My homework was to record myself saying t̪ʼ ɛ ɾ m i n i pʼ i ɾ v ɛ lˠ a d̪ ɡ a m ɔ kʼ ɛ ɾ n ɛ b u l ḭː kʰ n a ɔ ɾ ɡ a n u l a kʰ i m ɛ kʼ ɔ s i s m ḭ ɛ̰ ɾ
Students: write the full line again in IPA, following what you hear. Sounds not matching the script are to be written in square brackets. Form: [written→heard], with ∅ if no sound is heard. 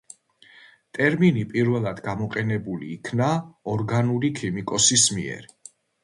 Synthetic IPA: t̪ʼ ɛ ɾ m i n i pʼ i ɾ v ɛ lˠ a d̪ ɡ a m ɔ [kʼ→qʼ] ɛ [ɾ→∅] n ɛ b u l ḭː kʰ n a ɔ ɾ ɡ a n u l [a→i] kʰ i m [ɛ→i] kʼ ɔ s i s m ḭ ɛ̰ ɾ